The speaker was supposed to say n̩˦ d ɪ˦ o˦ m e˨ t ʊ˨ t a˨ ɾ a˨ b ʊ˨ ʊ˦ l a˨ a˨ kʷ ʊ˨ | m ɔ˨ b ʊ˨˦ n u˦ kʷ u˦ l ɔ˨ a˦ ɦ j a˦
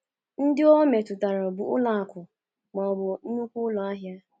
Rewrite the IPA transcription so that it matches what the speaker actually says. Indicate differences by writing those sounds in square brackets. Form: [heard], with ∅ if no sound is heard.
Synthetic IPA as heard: n̩˦ d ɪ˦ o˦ m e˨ t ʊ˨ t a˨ ɾ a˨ b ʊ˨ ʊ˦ l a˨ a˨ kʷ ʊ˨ | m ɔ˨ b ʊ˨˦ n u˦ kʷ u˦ l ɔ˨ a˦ ɦ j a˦